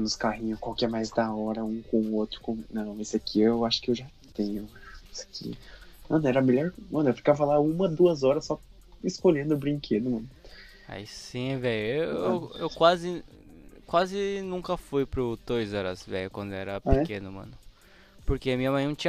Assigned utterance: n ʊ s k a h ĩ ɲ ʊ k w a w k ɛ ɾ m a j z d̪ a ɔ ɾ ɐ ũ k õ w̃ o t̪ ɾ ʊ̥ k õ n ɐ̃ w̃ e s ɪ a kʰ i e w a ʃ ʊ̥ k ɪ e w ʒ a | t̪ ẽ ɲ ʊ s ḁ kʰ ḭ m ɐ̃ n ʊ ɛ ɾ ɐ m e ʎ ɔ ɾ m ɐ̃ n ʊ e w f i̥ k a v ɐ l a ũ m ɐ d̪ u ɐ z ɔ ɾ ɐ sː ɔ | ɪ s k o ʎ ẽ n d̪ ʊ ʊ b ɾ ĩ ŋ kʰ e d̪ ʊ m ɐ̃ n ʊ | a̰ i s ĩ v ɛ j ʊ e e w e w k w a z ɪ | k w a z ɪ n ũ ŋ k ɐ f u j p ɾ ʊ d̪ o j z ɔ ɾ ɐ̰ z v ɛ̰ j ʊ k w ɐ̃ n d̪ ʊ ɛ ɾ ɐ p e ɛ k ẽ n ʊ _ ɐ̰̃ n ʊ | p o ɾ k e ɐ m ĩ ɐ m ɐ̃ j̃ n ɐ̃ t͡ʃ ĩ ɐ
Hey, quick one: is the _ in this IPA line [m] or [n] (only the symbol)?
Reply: m